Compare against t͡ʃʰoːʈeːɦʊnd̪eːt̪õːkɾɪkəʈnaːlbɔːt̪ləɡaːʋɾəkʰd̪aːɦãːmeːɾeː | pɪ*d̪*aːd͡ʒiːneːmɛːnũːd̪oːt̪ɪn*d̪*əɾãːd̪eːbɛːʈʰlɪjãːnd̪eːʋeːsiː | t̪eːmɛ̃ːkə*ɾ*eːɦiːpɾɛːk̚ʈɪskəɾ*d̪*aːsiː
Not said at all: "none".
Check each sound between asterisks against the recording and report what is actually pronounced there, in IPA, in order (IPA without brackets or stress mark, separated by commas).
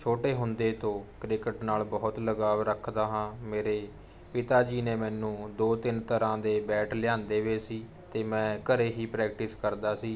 t̪, t̪, ɾ, d̪